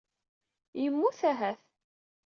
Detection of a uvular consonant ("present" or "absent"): absent